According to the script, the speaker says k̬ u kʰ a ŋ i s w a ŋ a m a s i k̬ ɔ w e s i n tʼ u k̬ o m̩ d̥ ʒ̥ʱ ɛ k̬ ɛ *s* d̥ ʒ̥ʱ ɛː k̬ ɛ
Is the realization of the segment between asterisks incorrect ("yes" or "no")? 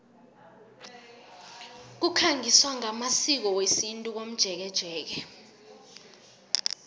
yes